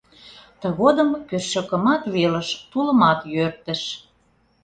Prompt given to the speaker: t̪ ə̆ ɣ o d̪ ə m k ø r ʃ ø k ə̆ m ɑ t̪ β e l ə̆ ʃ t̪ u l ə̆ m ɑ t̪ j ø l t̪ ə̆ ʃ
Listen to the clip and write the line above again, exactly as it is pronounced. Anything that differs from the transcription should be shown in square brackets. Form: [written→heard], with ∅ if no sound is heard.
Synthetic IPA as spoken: t̪ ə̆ ɣ o d̪ ə m k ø r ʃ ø k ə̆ m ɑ t̪ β e l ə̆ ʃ t̪ u l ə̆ m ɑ t̪ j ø [l→r] t̪ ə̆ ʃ